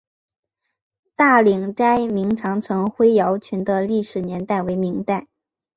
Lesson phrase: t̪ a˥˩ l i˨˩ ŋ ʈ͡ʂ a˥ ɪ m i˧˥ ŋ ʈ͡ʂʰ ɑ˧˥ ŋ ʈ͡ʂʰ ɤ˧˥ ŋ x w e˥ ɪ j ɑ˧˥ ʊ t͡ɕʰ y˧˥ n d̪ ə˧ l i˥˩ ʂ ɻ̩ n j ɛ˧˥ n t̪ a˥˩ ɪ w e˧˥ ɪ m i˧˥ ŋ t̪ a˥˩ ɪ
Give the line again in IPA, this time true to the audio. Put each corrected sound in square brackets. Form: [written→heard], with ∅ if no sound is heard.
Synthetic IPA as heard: t̪ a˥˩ l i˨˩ ŋ ʈ͡ʂ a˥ ɪ m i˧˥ ŋ ʈ͡ʂʰ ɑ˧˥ ŋ ʈ͡ʂʰ ɤ˧˥ ŋ x w e˥ ɪ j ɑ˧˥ ʊ t͡ɕʰ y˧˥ n d̪ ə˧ l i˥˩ ʂ ɻ̩ n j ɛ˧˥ n t̪ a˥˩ ɪ w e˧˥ ɪ m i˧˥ ŋ t̪ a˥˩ ɪ